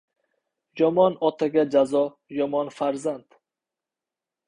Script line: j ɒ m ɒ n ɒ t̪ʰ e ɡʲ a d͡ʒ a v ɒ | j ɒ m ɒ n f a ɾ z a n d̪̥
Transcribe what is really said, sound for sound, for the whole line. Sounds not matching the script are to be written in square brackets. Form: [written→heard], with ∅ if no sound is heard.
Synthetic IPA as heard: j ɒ m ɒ n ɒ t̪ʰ [e→a] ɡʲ a d͡ʒ a [v→z] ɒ | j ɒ m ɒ n f a ɾ z a n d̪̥